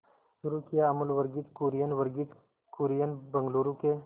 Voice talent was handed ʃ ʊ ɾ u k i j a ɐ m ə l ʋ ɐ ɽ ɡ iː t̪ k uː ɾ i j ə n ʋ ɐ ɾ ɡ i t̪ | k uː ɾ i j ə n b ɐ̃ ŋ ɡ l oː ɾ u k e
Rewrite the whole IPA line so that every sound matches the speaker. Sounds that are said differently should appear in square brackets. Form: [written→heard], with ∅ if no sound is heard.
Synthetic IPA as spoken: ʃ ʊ ɾ u k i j a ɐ m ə l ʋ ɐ [ɽ→ɾ] ɡ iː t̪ k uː ɾ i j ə n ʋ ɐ ɾ ɡ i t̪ | k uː ɾ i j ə n b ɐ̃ ŋ ɡ l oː ɾ u k e